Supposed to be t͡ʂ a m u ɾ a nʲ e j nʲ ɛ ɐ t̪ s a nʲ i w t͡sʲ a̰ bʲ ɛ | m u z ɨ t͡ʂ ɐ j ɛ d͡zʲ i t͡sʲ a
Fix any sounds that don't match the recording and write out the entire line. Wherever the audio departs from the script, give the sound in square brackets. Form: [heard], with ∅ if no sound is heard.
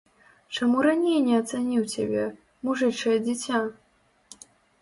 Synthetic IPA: t͡ʂ a m u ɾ a nʲ e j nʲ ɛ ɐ t̪ s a nʲ i w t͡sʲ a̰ bʲ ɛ | m u [ʐ] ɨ t͡ʂ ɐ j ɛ d͡zʲ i t͡sʲ a